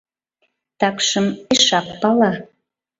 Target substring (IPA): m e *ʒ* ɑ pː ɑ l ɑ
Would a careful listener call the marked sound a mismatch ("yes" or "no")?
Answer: yes